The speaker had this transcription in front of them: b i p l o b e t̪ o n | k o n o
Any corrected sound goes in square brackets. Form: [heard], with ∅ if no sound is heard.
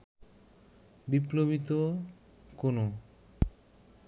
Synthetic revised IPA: b i p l o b [i] t̪ o [∅] | k o n o